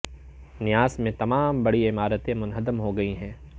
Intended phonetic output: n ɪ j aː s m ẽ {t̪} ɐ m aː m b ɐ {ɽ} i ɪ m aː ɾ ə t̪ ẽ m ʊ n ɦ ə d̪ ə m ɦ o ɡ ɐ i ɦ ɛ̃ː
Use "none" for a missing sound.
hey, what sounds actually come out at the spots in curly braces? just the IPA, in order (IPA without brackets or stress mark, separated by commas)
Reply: t̪, ɽ